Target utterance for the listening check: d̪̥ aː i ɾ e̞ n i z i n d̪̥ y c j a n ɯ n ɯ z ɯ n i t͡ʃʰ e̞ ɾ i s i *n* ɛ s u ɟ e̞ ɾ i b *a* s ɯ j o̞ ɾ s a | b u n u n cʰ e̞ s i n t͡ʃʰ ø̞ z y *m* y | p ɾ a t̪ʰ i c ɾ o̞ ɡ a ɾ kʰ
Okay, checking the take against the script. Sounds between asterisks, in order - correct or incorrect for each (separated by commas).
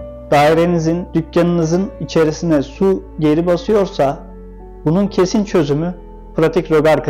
correct, correct, correct